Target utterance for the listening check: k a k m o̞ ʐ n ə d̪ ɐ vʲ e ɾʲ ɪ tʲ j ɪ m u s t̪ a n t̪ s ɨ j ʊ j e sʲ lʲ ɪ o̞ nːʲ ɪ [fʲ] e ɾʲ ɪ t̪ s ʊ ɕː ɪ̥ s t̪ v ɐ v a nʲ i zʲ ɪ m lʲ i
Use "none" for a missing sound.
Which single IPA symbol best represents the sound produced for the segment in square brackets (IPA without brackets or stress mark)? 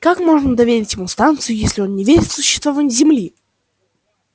vʲ